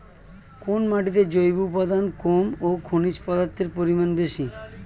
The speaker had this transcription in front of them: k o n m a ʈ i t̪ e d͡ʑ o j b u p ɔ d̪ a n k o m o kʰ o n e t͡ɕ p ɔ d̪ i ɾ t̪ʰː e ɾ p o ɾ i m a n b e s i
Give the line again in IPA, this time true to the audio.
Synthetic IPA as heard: k o n m a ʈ i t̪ e d͡ʑ o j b u p ɔ d̪ a n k o m o kʰ o n i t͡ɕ p ɔ d̪ a ɾ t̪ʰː e ɾ p o ɾ i m a n b e ʃ i